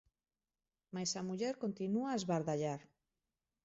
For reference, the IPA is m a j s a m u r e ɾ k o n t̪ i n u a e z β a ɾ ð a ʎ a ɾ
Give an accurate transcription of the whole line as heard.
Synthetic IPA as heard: m a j s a m u ʎ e ɾ k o n t̪ i n u a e z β a ɾ ð a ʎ a ɾ